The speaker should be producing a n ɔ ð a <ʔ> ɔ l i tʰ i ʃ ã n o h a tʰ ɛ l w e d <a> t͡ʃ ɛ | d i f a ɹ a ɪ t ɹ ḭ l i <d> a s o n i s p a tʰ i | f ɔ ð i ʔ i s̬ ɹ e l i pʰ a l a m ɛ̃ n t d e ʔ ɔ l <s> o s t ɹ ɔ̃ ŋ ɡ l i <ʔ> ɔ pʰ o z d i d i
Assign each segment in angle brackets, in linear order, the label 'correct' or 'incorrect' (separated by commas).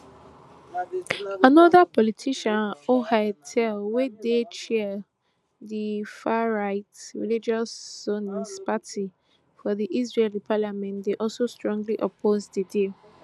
incorrect, incorrect, incorrect, correct, correct